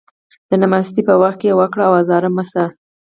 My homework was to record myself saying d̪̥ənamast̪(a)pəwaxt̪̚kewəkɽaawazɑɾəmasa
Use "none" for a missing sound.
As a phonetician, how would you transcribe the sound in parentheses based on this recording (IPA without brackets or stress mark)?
i